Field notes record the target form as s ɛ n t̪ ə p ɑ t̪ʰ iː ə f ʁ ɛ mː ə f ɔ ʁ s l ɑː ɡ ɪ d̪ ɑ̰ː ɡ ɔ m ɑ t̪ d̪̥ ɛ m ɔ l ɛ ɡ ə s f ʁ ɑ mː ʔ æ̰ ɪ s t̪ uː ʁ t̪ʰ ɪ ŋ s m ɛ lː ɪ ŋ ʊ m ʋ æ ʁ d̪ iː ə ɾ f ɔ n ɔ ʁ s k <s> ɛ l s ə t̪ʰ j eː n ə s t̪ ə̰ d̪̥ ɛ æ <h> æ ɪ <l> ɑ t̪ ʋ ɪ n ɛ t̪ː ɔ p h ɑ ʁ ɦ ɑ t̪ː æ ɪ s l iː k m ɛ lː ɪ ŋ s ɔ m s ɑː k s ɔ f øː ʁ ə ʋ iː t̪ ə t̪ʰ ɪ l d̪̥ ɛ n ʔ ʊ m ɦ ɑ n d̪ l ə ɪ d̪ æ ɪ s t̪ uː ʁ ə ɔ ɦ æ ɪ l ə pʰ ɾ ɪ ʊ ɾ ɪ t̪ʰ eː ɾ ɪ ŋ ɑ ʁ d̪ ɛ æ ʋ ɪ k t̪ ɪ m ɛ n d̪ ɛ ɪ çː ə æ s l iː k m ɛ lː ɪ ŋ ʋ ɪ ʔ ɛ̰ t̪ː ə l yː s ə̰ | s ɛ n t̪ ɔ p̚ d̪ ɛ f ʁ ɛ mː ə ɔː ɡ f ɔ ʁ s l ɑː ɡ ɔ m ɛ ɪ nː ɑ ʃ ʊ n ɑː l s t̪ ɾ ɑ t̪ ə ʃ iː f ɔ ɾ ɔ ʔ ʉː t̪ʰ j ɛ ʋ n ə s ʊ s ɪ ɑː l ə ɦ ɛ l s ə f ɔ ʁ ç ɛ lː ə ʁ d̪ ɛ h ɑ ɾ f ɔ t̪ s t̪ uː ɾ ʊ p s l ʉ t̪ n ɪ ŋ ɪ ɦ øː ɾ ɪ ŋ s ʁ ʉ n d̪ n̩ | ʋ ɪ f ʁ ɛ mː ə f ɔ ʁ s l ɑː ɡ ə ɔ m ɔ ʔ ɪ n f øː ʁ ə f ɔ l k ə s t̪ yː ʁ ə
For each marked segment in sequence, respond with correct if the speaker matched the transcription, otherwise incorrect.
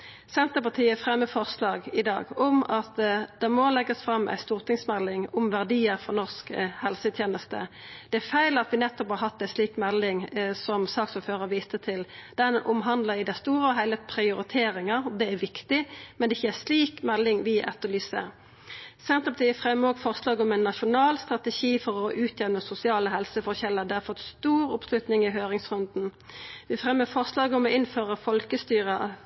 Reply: incorrect, incorrect, correct

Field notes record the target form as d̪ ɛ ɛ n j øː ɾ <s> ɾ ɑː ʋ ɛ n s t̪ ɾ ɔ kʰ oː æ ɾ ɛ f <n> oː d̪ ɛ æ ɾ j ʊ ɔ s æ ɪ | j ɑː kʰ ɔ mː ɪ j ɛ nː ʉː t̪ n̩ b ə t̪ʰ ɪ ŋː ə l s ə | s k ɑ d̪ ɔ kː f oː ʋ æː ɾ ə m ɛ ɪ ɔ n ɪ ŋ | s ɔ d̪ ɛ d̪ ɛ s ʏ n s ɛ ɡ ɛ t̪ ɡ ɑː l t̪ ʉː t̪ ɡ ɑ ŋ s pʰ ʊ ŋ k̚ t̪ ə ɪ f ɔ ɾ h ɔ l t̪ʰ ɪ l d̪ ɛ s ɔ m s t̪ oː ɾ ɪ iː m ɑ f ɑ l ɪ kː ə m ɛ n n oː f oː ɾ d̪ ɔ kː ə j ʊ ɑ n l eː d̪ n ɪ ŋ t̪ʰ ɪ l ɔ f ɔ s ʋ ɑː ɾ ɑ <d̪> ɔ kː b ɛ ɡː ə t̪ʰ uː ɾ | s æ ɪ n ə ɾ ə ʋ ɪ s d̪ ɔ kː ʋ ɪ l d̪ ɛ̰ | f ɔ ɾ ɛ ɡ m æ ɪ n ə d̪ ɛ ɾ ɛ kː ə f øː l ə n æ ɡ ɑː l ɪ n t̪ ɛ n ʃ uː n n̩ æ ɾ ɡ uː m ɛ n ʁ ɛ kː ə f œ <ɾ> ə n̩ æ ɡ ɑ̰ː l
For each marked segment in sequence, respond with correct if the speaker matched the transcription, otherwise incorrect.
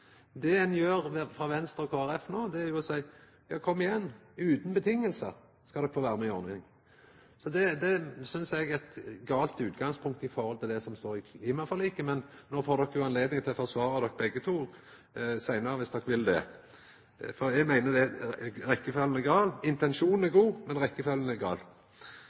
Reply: incorrect, correct, correct, incorrect

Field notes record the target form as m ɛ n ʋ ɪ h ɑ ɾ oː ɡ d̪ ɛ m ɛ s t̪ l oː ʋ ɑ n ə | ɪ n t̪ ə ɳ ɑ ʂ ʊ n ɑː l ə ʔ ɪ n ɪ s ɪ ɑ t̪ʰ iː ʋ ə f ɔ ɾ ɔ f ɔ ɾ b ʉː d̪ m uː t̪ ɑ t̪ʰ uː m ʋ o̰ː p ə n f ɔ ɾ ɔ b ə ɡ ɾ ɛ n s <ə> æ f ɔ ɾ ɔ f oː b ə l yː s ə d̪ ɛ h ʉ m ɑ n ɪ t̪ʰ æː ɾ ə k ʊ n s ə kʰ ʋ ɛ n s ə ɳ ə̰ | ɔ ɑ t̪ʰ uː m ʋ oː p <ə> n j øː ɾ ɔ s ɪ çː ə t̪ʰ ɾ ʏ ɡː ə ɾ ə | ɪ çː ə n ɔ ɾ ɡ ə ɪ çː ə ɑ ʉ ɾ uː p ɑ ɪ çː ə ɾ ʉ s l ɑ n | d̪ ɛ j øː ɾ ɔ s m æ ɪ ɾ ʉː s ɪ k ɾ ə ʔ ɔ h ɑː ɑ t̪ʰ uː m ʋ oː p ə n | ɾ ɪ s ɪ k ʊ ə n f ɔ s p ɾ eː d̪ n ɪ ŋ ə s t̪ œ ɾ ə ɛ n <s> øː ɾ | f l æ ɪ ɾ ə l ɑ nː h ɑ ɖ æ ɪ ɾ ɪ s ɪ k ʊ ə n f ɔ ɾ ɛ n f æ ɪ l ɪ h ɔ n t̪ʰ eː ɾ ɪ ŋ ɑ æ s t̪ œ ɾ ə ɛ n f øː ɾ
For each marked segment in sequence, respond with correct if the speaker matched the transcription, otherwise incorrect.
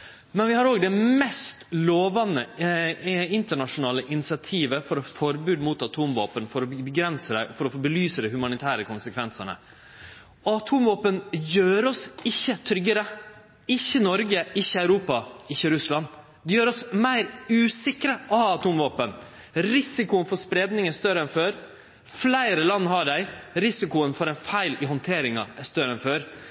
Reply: correct, correct, incorrect

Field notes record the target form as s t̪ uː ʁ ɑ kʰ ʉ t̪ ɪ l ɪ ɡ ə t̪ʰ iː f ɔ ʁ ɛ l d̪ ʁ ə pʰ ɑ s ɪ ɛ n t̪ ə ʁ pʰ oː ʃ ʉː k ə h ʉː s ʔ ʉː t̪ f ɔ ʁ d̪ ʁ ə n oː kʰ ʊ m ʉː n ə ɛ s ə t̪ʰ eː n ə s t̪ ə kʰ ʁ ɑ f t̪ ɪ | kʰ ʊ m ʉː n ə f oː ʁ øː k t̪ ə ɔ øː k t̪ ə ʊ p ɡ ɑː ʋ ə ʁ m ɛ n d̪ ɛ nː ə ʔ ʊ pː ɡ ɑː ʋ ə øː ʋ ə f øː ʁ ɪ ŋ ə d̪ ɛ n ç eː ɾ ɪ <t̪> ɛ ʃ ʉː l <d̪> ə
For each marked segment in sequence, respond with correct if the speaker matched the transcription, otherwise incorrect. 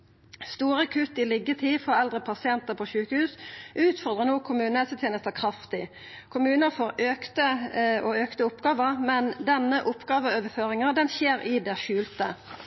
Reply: incorrect, incorrect

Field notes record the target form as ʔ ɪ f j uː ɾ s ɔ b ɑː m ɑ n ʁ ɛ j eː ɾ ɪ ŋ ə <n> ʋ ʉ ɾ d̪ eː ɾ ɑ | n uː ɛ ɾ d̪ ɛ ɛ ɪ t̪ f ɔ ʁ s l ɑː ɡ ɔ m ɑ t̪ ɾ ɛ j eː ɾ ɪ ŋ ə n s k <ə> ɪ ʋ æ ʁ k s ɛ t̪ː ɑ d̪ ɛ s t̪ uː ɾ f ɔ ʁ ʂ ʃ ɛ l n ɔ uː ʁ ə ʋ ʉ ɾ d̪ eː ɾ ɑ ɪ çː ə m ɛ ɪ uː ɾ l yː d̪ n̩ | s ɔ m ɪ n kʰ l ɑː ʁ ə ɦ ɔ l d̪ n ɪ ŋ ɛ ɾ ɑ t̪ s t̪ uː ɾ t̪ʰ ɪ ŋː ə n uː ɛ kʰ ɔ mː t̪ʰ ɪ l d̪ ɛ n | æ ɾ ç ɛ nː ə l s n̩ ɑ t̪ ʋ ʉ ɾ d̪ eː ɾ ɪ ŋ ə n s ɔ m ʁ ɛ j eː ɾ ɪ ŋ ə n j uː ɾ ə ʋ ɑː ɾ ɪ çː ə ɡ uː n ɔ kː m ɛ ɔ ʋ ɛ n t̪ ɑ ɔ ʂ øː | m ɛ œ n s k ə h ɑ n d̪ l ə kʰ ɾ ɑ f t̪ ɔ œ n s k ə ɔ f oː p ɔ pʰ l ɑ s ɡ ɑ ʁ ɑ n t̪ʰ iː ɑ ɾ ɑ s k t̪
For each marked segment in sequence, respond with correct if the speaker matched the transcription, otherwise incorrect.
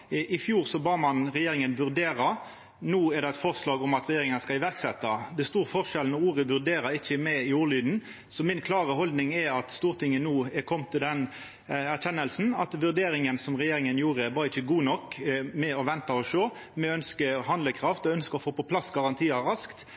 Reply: correct, incorrect

